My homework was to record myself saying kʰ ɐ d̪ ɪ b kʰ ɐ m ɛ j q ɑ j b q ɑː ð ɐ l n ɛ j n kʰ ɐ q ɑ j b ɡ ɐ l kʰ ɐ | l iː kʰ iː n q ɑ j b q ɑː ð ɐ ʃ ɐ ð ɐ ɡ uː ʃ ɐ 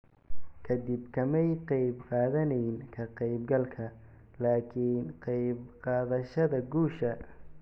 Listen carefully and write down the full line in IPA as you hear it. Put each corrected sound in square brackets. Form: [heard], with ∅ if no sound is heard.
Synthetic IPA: kʰ ɐ d̪ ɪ b kʰ ɐ m ɛ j q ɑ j b q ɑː ð ɐ [∅] n ɛ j n kʰ ɐ q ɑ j b ɡ ɐ l kʰ ɐ | l [aː] kʰ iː n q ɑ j b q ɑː ð ɐ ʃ ɐ ð ɐ ɡ uː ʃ ɐ